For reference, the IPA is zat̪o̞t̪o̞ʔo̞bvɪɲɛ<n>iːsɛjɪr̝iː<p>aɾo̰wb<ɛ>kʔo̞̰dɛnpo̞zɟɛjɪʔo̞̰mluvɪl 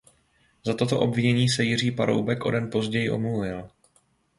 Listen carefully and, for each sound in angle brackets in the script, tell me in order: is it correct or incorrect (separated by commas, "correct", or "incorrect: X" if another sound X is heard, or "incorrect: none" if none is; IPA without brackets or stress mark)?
incorrect: ɲ, correct, correct